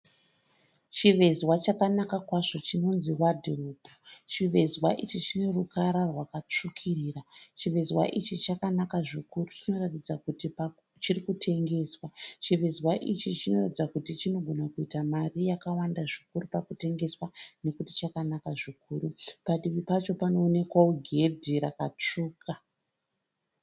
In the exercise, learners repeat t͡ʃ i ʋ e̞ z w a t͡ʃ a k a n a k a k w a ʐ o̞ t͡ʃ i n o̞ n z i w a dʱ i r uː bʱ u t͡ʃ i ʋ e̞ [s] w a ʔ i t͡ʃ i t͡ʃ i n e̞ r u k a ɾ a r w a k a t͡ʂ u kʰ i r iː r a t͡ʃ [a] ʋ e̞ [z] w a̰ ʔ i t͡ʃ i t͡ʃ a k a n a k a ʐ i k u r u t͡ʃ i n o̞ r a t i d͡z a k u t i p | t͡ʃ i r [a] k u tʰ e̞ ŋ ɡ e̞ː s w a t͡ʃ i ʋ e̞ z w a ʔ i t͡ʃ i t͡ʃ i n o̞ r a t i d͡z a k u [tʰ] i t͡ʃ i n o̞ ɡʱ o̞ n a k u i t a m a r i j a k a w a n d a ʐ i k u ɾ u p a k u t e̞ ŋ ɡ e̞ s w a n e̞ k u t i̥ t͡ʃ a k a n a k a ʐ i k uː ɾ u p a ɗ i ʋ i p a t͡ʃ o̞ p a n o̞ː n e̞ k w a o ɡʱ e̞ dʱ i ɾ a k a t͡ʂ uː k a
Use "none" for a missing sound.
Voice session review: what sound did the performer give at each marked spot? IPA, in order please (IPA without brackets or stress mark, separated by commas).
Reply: z, i, z, i, t